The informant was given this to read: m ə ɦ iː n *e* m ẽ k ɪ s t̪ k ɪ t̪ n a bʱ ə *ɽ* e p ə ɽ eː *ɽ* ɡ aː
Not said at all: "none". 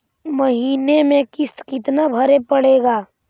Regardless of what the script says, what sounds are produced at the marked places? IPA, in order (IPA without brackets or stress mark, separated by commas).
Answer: e, ɾ, none